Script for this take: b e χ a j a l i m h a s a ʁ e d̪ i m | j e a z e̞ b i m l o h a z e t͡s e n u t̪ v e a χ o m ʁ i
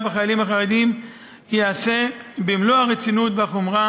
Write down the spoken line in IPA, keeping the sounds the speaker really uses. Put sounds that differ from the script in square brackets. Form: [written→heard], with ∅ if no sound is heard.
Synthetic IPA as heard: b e χ a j a l i m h a [s→χ] a ʁ e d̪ i m | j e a [z→s] e̞ b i m l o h a [z→ʁ] e t͡s [e→i] n u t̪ v e a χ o m ʁ [i→a]